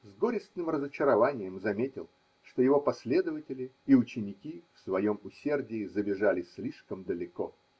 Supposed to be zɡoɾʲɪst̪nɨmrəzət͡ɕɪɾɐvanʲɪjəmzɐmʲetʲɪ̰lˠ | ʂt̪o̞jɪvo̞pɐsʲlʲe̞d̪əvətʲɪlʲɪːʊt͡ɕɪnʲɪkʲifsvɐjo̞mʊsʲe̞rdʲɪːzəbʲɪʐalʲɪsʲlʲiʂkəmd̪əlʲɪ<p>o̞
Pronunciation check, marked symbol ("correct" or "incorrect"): incorrect